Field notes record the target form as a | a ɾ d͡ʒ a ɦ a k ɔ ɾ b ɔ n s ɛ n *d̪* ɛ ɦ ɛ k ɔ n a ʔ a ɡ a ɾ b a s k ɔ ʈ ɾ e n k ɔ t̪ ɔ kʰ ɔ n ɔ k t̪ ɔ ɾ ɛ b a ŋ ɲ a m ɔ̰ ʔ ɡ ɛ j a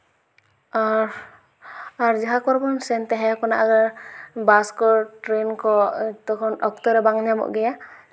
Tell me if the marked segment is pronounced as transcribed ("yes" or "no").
no